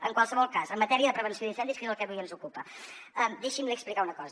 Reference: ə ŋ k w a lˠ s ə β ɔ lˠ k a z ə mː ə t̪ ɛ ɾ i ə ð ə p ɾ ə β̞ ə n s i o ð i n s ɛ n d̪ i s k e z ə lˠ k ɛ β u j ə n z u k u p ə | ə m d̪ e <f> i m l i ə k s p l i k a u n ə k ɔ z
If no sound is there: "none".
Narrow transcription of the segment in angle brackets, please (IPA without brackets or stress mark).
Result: ʃ